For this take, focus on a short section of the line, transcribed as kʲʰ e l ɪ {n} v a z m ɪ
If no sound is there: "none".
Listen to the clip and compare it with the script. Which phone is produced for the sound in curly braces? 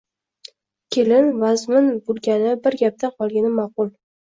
n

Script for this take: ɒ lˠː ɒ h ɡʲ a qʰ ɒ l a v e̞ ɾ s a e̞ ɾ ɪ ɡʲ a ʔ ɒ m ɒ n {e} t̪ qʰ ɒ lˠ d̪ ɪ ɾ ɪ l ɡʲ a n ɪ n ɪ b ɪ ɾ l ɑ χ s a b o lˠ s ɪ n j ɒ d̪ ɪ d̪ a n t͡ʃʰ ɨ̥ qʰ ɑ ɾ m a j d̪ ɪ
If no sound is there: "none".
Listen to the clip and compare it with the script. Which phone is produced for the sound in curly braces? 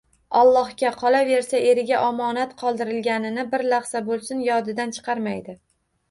a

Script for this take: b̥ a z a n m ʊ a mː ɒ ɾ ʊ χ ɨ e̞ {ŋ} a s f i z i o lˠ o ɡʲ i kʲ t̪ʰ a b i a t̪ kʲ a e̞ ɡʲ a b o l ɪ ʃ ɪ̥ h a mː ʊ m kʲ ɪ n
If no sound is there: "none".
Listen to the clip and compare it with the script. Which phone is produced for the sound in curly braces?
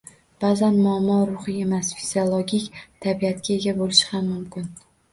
m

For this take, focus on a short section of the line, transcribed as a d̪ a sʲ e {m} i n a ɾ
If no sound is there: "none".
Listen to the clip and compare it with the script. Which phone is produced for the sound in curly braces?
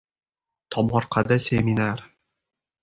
m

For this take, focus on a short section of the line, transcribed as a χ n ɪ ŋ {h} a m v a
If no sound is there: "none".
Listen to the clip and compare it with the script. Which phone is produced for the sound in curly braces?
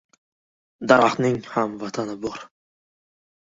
h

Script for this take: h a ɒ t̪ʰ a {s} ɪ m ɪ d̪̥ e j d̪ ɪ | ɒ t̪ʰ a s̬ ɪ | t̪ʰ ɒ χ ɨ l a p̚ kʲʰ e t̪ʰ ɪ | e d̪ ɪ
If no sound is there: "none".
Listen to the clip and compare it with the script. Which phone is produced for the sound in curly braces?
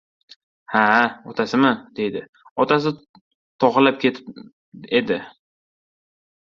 s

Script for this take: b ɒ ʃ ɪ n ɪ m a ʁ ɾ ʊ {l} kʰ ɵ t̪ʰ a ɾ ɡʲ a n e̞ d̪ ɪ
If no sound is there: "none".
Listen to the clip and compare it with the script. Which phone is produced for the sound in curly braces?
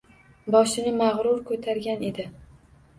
ɾ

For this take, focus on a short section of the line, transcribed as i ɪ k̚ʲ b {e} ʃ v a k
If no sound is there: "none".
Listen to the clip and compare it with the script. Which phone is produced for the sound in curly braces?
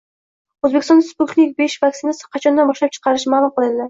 e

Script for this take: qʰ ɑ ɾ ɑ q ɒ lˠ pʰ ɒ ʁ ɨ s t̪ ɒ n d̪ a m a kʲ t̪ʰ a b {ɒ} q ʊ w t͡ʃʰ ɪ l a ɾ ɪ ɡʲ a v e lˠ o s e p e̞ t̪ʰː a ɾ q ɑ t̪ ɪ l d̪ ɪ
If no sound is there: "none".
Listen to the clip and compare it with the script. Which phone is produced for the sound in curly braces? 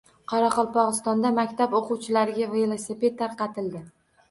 o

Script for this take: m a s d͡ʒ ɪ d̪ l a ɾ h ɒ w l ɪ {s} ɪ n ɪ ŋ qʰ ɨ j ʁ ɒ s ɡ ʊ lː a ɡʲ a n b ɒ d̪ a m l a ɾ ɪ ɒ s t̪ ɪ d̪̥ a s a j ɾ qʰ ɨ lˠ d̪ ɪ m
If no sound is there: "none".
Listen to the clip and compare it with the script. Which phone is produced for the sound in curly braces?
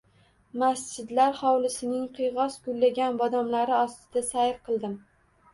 s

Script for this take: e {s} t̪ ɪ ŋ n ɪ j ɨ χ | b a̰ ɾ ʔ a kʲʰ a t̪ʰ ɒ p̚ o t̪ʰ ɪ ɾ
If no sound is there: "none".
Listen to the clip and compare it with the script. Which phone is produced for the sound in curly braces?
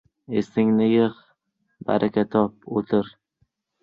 s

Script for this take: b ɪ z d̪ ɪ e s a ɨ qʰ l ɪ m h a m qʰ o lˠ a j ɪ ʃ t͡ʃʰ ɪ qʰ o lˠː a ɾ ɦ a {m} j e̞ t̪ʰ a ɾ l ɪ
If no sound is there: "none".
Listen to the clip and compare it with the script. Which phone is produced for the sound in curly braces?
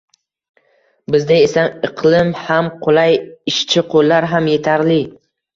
m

